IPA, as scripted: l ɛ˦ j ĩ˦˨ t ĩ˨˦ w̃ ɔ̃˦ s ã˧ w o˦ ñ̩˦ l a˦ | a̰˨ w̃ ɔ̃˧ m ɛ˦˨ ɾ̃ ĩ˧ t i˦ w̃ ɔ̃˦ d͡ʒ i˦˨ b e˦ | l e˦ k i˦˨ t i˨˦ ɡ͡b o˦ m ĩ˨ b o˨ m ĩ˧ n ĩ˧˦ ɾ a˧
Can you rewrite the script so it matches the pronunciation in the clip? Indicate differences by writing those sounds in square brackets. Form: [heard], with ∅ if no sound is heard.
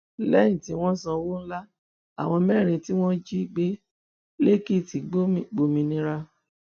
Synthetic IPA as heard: l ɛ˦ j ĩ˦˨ t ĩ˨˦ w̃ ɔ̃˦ s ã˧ w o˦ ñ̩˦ l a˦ | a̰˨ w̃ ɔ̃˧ m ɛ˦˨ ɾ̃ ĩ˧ t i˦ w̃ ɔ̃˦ d͡ʒ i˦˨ [ɡ͡b] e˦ | l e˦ k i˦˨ t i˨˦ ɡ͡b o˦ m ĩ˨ [ɡ͡b] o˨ m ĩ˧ n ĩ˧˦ ɾ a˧